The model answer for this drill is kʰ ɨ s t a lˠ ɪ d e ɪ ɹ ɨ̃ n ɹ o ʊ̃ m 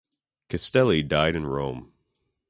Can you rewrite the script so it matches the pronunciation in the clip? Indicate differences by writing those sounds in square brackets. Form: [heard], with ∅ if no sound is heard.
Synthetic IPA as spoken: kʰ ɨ s t [ɛ] lˠ [i] d [a] ɪ [ɾ] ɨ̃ n ɹ [õ] ʊ̃ m